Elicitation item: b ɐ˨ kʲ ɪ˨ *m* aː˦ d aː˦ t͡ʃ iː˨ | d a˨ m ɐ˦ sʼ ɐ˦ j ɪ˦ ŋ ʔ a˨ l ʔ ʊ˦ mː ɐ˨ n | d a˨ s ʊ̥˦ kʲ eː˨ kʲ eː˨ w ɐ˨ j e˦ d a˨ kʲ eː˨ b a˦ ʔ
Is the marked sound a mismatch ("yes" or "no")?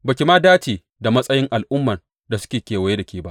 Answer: no